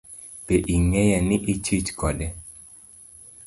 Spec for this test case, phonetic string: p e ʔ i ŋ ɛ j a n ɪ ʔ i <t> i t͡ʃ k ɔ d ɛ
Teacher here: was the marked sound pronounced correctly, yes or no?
no